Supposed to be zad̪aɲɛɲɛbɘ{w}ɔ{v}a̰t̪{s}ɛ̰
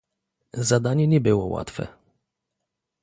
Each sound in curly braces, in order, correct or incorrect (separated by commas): correct, incorrect, incorrect